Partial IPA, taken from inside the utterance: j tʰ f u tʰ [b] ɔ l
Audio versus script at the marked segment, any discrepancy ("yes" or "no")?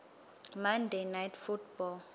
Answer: no